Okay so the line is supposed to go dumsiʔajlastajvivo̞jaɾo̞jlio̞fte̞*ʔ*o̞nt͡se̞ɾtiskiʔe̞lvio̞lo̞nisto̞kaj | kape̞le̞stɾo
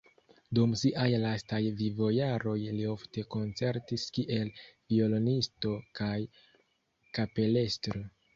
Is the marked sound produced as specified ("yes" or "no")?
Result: no